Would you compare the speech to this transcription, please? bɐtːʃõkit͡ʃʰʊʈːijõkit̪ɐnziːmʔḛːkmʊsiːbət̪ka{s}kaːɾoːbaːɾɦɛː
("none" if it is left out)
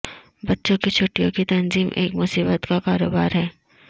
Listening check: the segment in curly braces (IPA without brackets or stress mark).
none